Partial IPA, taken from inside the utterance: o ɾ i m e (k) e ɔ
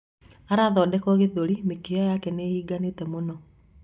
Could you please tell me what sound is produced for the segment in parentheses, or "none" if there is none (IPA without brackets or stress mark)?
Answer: k